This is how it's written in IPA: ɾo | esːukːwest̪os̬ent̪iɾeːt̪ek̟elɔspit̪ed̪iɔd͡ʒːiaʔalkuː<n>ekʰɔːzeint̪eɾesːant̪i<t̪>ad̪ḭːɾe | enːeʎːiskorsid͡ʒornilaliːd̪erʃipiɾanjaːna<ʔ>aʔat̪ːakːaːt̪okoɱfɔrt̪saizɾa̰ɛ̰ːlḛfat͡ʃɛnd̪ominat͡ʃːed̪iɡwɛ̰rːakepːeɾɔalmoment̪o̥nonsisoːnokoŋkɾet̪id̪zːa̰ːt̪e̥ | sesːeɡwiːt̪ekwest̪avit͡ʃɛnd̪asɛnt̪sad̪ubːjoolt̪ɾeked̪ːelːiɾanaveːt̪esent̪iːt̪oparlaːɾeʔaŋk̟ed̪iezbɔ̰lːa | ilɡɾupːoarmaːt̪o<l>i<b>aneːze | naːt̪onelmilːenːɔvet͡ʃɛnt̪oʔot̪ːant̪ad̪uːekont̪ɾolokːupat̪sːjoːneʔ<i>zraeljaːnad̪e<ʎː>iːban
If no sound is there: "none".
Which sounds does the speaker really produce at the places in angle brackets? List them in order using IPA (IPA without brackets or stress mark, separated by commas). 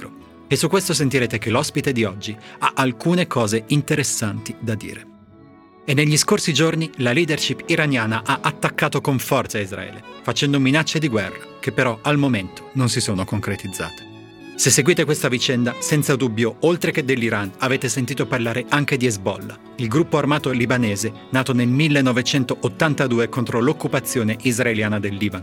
n, d̪, ʔ, l, b, i, lː